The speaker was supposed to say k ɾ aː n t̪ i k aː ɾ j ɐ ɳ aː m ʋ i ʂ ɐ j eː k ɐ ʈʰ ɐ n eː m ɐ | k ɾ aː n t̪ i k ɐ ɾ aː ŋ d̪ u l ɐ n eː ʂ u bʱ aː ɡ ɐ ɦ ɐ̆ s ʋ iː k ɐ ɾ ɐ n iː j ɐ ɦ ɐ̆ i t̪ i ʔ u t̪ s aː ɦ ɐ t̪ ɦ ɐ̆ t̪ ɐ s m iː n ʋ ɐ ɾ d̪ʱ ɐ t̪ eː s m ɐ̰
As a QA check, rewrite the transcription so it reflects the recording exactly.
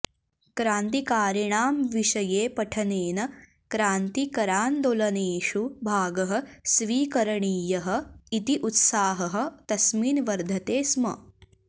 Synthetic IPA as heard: k ɾ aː n t̪ i k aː ɾ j ɐ ɳ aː m ʋ i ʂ ɐ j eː p ɐ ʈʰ ɐ n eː n ɐ | k ɾ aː n t̪ i k ɐ ɾ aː n d̪ o l ɐ n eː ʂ u bʱ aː ɡ ɐ ɦ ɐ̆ s ʋ iː k ɐ ɾ ɐ ɳ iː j ɐ ɦ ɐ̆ i t̪ i ʔ u t̪ s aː ɦ ɐ ɦ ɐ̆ t̪ ɐ s m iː n ʋ ɐ ɾ d̪ʱ ɐ t̪ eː s m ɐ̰